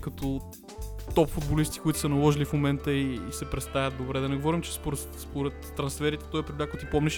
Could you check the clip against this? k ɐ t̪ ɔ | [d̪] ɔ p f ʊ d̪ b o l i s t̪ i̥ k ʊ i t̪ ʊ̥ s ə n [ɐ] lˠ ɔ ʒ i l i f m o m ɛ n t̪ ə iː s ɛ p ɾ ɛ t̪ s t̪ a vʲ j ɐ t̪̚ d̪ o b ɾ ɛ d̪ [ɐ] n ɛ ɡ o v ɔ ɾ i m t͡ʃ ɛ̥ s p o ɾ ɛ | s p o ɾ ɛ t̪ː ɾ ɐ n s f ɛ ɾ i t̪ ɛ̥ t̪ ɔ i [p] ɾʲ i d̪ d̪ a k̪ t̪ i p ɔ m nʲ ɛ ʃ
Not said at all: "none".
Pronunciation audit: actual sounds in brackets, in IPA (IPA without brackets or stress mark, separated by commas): t̪, ɐ, ɐ, p